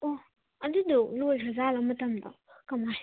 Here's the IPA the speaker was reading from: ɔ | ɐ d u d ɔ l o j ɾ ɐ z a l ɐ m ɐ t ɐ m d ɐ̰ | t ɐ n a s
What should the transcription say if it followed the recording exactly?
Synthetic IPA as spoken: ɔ | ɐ d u d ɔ l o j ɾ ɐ z a l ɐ m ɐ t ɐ m d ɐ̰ | k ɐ m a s